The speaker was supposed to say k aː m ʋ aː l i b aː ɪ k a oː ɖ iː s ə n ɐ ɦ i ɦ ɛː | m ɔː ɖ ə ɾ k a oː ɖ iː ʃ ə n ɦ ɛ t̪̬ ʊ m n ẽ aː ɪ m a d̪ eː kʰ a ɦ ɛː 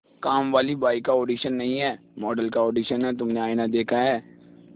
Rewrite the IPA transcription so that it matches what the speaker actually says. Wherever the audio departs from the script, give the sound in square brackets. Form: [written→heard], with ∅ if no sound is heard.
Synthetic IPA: k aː m ʋ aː l i b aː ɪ k a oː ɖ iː [s→ʃ] ə [n→nː] ɐ ɦ [i→ĩ] ɦ ɛː | m ɔː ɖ ə [ɾ→l] k a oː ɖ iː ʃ ə n ɦ ɛ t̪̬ ʊ m n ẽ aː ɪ [m→n] a d̪ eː kʰ a ɦ ɛː